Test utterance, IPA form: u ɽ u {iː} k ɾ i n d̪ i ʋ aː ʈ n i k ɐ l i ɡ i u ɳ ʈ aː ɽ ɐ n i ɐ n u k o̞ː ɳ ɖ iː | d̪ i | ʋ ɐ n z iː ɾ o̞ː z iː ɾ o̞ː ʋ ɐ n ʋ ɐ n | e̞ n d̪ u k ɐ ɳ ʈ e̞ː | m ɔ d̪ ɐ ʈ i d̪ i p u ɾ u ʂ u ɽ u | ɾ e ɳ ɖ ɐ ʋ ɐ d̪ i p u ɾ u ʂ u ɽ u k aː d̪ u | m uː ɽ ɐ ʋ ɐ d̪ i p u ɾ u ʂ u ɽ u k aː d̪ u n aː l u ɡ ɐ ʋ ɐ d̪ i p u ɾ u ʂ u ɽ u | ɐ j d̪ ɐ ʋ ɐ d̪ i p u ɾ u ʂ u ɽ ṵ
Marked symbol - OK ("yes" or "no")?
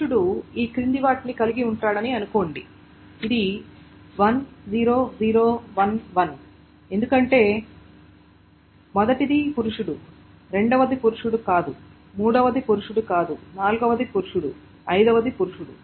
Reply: yes